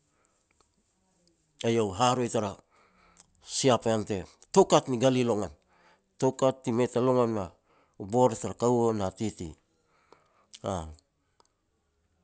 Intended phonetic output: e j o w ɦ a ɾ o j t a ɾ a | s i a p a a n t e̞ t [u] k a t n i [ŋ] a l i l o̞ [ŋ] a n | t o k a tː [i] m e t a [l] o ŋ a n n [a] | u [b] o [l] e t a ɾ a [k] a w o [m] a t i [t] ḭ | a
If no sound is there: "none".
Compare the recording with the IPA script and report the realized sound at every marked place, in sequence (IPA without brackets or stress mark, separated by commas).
o, ɡ, ŋ, i, l, a, b, ɾ, k, n, t